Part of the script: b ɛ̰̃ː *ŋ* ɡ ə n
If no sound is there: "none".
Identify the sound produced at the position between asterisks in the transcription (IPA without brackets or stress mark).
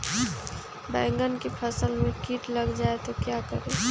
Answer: ŋ